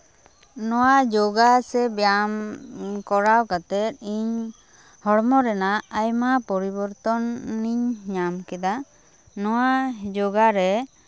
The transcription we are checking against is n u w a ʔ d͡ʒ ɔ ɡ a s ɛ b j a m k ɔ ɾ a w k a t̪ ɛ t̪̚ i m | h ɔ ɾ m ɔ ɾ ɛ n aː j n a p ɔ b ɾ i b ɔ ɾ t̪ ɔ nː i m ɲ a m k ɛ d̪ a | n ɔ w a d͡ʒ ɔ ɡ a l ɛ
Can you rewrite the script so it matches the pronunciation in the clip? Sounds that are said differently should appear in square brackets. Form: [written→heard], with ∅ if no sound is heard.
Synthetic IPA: n [u→ɔ] w a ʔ d͡ʒ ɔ ɡ a s ɛ b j a m k ɔ ɾ a w k a t̪ ɛ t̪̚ i [m→ɲ] | h ɔ [ɾ→ɽ] m ɔ ɾ ɛ n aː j [n→m] a p ɔ [b→∅] ɾ i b ɔ ɾ t̪ ɔ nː i [m→ɲ] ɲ a m k ɛ d̪ a | n ɔ w a d͡ʒ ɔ ɡ a [l→ɾ] ɛ